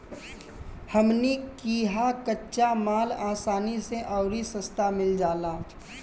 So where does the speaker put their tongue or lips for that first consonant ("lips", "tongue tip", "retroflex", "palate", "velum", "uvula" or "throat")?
throat